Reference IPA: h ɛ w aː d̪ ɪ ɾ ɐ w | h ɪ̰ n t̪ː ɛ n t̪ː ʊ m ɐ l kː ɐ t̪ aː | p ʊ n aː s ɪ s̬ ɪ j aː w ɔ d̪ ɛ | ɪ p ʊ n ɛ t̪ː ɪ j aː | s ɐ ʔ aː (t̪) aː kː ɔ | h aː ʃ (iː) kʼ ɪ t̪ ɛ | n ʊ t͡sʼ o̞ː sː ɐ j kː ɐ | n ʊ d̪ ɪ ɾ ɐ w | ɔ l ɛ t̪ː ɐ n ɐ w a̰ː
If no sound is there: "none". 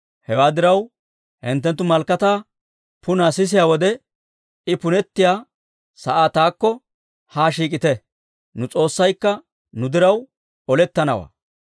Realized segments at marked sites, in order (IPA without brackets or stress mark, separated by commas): t̪, iː